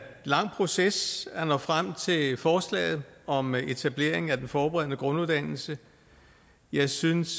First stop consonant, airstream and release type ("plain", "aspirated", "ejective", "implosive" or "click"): aspirated